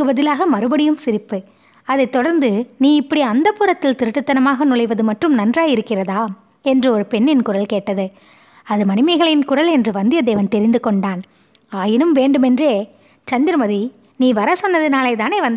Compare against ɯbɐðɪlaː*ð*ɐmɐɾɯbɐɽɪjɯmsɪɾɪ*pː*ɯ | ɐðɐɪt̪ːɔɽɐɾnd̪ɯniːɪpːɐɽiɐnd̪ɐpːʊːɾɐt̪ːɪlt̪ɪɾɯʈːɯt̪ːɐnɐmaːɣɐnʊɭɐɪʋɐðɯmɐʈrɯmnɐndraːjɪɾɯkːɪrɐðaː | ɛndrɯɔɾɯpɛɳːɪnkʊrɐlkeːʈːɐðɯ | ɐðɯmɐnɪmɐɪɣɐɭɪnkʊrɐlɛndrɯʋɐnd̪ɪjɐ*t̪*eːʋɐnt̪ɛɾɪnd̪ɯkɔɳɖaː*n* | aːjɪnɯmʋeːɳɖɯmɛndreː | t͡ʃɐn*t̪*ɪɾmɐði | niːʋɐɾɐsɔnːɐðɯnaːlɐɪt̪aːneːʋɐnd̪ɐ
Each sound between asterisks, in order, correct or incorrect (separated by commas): incorrect, correct, incorrect, correct, incorrect